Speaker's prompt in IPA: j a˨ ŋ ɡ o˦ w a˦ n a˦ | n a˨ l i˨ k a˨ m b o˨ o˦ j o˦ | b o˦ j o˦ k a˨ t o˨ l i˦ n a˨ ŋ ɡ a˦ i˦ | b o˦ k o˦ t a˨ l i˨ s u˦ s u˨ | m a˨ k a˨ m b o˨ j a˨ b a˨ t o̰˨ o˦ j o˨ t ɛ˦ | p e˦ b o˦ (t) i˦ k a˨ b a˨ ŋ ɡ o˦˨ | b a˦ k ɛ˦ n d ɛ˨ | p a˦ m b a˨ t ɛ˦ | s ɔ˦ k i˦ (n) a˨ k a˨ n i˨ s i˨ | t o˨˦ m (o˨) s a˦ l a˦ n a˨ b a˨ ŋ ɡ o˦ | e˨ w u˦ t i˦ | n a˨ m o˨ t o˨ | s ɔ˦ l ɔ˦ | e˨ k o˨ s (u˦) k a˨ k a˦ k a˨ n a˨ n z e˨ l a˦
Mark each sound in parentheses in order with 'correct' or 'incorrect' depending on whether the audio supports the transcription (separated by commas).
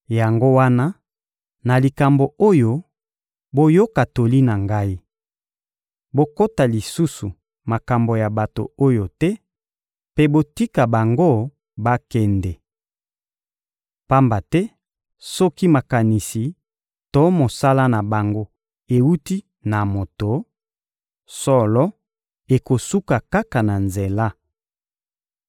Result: correct, incorrect, correct, correct